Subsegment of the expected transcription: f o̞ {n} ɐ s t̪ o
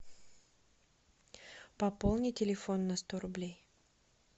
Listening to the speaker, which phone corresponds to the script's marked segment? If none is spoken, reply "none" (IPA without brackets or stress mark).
nː